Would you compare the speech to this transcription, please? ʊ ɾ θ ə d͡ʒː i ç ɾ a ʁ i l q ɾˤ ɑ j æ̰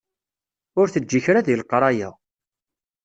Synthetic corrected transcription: ʊ ɾ θ ə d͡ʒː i ç ɾ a ð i l q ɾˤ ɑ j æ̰